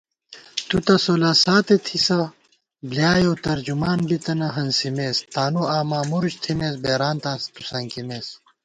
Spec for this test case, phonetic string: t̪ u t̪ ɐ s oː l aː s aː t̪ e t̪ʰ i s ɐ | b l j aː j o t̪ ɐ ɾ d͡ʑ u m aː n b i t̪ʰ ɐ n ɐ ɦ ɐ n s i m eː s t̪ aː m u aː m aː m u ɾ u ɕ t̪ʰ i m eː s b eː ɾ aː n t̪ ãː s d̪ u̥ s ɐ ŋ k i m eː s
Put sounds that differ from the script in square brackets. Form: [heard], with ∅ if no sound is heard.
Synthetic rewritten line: t̪ u t̪ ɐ s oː l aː s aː t̪ e t̪ʰ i s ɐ | b l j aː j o t̪ ɐ ɾ d͡ʑ u m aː n b i [t̪] ɐ n ɐ ɦ ɐ n s i m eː s t̪ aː [n] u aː m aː m u ɾ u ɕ t̪ʰ i m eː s b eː ɾ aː n t̪ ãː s [t̪] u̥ s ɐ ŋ k i m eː s